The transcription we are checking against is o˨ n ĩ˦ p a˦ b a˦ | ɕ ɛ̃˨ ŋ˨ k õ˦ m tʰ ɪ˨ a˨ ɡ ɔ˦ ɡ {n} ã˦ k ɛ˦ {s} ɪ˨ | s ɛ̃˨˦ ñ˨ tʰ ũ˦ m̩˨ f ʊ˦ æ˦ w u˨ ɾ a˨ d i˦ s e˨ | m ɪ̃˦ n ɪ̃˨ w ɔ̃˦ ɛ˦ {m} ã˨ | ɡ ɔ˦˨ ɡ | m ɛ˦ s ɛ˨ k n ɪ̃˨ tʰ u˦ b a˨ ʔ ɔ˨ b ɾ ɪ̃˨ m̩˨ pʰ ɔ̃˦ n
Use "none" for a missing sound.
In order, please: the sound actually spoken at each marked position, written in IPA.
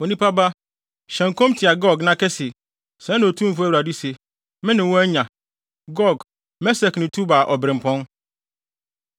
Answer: n, s, ɲ

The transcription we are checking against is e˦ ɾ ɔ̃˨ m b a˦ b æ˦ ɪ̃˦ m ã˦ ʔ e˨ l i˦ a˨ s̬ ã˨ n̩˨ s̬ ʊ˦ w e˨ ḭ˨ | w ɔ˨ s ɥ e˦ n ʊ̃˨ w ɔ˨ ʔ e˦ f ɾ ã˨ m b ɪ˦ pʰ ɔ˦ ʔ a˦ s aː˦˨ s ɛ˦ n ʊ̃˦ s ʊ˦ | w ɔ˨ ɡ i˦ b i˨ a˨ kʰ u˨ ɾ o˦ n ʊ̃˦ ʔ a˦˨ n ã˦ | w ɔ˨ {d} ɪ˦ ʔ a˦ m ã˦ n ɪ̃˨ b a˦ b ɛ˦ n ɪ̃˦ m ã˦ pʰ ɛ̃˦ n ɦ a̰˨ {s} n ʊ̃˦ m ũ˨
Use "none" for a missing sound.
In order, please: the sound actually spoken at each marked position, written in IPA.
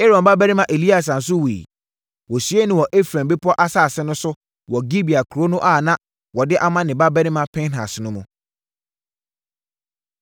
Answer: d, s

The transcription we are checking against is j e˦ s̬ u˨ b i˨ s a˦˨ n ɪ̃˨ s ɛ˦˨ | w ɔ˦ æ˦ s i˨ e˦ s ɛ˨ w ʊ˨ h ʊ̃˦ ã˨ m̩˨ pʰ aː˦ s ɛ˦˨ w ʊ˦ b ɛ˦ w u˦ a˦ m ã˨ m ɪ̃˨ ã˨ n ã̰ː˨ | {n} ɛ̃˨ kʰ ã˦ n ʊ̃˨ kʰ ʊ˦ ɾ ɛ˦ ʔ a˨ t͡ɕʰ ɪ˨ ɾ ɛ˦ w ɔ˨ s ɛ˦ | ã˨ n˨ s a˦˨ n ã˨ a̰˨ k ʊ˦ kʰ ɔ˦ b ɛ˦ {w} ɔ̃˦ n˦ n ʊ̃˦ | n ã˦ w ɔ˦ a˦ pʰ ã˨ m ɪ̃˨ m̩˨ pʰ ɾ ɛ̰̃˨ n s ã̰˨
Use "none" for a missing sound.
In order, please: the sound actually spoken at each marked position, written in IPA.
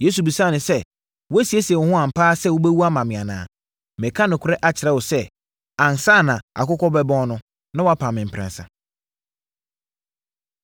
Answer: m, b

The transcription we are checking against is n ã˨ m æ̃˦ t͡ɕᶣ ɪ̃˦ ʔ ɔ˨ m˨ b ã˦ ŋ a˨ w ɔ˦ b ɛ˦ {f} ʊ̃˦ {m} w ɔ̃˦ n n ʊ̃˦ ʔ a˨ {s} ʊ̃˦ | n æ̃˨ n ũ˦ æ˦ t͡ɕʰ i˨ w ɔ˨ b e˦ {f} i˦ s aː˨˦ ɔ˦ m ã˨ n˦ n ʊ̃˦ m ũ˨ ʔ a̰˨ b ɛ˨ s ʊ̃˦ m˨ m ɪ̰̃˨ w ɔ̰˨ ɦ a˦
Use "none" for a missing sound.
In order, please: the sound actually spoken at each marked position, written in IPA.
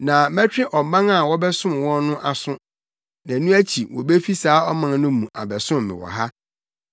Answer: s, m, s, f

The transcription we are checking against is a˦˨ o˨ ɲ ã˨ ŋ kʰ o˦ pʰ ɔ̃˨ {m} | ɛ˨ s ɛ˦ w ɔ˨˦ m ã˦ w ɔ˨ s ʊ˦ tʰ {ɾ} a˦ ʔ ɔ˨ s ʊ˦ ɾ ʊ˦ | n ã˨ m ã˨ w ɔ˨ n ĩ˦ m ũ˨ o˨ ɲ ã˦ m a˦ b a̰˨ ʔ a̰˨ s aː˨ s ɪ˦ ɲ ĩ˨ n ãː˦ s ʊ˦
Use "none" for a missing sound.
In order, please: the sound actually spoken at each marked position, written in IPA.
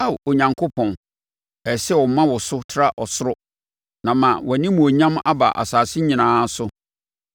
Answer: n, ɾ

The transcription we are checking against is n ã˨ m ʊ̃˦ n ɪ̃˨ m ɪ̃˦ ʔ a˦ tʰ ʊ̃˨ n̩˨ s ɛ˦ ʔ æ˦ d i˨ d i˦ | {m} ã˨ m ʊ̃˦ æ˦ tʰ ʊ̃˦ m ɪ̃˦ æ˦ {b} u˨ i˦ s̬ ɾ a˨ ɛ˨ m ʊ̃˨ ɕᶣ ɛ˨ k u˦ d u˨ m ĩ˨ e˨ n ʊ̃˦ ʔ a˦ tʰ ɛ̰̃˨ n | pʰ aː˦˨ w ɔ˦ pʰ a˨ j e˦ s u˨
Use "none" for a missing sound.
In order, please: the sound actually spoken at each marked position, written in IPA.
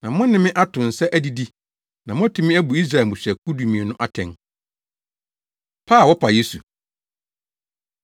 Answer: n, b

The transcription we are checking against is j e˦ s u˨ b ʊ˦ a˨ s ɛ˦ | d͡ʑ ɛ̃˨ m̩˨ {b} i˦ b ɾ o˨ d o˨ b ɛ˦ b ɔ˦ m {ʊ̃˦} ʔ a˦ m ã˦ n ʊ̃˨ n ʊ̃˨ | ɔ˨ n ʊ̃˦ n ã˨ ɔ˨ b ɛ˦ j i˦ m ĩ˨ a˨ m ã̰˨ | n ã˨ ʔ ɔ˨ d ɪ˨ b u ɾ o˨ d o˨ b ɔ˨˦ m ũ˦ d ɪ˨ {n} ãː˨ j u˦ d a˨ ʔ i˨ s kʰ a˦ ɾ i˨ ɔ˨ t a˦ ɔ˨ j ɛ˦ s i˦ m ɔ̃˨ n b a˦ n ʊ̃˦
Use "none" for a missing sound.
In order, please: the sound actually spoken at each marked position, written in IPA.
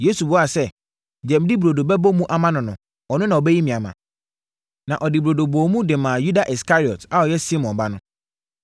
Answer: d, ũ˦, m

